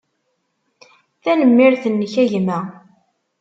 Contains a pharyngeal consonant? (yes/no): no